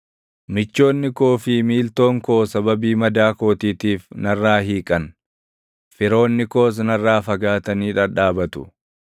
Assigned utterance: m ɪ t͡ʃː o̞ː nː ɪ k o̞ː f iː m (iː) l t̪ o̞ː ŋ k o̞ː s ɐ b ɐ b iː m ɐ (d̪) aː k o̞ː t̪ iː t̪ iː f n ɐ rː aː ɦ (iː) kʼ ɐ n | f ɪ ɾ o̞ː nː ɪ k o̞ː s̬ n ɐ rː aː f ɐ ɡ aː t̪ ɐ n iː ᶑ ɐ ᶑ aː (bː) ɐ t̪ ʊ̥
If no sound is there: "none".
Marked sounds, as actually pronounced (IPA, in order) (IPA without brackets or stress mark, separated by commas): iː, d̪, iː, b